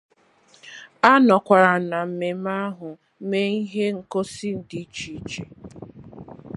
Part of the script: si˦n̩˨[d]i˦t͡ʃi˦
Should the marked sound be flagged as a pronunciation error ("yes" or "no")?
no